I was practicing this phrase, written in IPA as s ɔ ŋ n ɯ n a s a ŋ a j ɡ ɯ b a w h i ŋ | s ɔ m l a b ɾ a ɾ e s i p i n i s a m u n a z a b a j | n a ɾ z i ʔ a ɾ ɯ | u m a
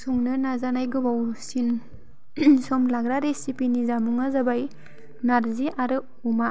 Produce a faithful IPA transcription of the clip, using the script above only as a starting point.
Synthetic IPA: s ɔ ŋ n ɯ n a z a n a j ɡ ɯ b a w s i n | s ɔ m l a ɡ ɾ a ɾ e s i p i n i z a m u ŋ a z a b a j | n a ɾ z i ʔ a ɾ ɯ | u m a